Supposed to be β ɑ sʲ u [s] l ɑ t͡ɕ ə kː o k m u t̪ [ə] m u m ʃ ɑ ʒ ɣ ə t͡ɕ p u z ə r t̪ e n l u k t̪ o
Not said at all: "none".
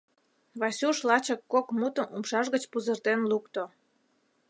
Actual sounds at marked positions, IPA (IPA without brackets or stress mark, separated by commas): ʃ, ə